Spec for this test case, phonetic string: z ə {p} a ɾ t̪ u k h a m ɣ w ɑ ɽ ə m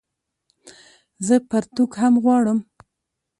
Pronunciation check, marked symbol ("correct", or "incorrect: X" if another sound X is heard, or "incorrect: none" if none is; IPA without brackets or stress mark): correct